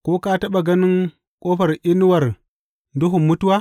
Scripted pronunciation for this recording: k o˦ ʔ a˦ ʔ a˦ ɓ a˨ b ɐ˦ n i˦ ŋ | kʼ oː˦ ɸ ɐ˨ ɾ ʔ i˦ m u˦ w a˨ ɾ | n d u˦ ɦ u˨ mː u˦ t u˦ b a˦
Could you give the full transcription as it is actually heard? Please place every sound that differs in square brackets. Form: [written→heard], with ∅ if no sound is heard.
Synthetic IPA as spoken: k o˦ [ʔ→k] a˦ [ʔ→t] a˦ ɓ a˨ [b→ɡ] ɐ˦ n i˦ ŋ | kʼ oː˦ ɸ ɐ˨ ɾ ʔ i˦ [m→n] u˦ w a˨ ɾ | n d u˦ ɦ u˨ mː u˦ t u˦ [b→w] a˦